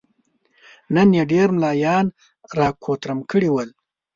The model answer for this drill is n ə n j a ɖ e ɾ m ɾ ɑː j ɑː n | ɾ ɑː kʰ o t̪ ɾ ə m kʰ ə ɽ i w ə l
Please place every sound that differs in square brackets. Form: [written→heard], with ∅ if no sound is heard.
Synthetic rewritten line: n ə n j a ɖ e ɾ m [ɾ→l] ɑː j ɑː n | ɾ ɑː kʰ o t̪ ɾ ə m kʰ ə ɽ i w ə l